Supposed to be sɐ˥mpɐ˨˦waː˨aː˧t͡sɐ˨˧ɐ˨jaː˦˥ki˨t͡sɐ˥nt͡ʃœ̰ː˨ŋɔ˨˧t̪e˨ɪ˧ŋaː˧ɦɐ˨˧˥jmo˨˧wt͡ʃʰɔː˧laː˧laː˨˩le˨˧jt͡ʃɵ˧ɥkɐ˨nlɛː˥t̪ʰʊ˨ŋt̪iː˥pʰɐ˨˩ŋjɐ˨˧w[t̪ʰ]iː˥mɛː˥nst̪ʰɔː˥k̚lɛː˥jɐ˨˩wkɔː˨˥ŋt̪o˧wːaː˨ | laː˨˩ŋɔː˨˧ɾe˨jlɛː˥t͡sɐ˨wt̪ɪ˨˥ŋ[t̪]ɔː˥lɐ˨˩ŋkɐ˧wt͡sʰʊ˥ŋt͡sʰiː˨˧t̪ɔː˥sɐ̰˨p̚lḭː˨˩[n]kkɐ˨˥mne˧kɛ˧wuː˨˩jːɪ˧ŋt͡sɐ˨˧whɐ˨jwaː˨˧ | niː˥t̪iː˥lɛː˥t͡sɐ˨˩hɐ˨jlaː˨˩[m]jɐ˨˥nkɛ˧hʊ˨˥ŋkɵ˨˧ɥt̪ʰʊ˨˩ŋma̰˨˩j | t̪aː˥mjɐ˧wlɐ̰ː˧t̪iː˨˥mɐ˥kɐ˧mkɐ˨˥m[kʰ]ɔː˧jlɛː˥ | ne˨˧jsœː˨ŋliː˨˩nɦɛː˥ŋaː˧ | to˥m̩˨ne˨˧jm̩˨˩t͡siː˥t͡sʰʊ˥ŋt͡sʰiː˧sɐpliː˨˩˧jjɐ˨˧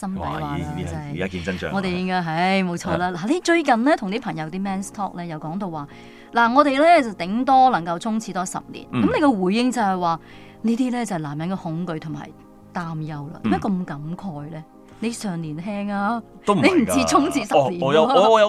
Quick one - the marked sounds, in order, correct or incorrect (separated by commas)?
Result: incorrect, correct, correct, correct, correct